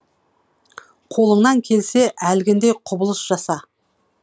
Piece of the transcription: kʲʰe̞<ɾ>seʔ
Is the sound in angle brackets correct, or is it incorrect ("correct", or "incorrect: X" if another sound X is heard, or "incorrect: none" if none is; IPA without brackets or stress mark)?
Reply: incorrect: l